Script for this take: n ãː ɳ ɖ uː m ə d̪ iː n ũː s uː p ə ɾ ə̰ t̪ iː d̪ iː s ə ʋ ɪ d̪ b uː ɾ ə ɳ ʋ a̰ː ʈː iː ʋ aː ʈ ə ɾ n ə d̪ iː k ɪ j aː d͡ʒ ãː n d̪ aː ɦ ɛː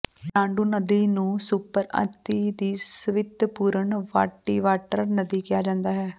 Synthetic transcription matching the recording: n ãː ɳ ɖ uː n ə d̪ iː n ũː s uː p ə ɾ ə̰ t̪ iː d̪ iː s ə ʋ ɪ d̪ p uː ɾ ə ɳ ʋ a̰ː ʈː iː ʋ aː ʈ ə ɾ n ə d̪ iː k ɪ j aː d͡ʒ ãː n d̪ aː ɦ ɛː

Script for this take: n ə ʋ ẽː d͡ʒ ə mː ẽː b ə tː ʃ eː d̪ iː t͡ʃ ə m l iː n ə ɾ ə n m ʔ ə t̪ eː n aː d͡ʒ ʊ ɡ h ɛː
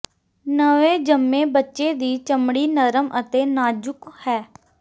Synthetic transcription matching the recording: n ə ʋ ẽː d͡ʒ ə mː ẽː b ə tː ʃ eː d̪ iː t͡ʃ ə m ɽ iː n ə ɾ ə m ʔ ə t̪ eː n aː d͡ʒ ʊ k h ɛː

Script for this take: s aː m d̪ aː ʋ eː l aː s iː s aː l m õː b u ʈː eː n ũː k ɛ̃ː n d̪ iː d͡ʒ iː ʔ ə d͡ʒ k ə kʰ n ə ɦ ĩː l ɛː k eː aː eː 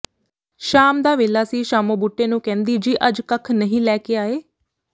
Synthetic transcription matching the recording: ʃ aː m d̪ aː ʋ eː l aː s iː ʃ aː m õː b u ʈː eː n ũː k ɛ̃ː n d̪ iː d͡ʒ iː ʔ ə d͡ʒ k ə kʰ n ə ɦ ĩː l ɛː k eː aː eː

